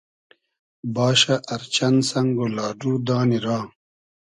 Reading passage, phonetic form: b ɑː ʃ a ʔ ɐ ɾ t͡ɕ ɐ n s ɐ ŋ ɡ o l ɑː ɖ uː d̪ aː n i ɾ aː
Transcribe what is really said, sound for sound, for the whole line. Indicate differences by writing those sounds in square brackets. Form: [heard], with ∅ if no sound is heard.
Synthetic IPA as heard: b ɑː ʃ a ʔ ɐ ɾ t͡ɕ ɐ n s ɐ ŋ ɡ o l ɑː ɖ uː d̪ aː n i ɾ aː